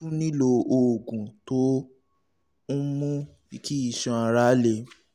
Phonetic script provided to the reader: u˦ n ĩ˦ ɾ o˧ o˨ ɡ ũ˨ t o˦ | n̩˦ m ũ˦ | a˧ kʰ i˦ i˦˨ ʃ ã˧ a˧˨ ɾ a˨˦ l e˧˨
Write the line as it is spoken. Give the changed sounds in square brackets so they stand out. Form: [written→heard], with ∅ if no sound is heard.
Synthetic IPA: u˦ n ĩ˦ [ɾ→l] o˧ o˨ ɡ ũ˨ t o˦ | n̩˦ m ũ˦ | [a˧→i˧] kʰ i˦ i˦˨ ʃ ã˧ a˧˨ ɾ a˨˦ l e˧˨